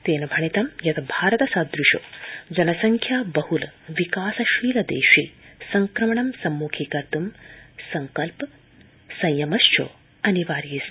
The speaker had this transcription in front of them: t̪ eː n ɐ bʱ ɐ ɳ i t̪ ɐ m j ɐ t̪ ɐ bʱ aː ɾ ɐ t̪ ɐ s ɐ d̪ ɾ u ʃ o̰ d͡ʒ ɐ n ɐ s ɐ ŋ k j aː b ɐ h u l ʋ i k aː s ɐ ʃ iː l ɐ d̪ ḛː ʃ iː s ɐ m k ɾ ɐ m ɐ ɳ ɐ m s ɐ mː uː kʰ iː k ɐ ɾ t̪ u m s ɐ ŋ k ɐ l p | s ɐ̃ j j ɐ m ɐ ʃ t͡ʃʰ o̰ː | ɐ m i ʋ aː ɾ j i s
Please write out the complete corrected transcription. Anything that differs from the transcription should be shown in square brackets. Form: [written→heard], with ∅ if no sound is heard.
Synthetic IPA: t̪ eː n ɐ bʱ ɐ ɳ i t̪ ɐ m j ɐ t̪ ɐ bʱ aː ɾ ɐ t̪ ɐ s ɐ d̪ ɾ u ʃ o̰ d͡ʒ ɐ n ɐ s ɐ ŋ [k→kʰ] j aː b ɐ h u l ʋ i k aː s ɐ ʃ iː l ɐ d̪ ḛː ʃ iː s ɐ [m→ŋ] k ɾ ɐ m ɐ ɳ ɐ m s ɐ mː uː kʰ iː k ɐ ɾ t̪ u m s ɐ ŋ k ɐ l p | s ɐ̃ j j ɐ m ɐ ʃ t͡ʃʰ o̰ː | ɐ [m→n] i ʋ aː ɾ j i s